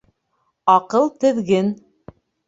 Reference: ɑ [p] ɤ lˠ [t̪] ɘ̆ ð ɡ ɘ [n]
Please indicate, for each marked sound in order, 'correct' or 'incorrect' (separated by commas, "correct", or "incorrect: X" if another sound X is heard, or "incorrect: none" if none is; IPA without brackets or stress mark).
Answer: incorrect: q, correct, correct